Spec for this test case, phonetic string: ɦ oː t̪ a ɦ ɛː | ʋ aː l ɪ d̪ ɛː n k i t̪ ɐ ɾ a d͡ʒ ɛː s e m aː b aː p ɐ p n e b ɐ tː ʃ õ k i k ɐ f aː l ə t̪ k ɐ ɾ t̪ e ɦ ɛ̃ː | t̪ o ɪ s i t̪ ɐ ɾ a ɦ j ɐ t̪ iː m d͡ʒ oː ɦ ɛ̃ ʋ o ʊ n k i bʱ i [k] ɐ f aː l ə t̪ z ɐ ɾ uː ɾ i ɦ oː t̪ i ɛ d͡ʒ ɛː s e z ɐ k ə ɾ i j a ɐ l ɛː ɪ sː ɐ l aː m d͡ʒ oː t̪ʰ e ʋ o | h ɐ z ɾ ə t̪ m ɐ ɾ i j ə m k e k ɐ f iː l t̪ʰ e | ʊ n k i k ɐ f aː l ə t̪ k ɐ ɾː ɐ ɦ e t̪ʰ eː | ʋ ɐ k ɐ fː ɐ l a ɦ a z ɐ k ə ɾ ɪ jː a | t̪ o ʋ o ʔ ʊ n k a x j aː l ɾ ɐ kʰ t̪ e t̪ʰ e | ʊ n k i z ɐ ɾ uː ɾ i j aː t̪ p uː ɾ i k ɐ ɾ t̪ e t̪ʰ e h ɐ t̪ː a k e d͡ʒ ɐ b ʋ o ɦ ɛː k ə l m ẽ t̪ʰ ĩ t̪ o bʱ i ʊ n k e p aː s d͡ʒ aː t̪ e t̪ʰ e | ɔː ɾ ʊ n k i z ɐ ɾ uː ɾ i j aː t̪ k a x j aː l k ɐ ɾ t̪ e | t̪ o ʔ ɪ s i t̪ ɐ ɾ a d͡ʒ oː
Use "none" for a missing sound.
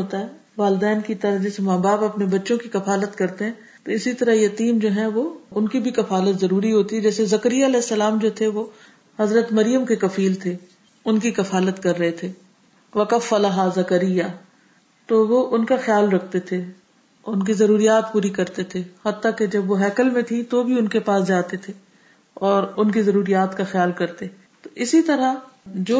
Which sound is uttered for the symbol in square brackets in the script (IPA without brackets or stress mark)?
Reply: k